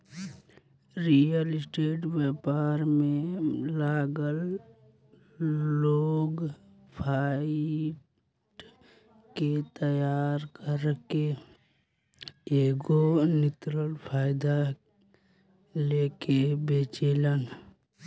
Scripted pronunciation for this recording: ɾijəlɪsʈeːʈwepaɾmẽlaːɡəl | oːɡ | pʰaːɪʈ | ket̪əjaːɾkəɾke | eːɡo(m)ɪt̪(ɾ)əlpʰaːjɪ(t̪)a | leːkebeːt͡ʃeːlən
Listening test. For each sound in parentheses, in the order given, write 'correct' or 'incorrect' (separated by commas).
incorrect, correct, incorrect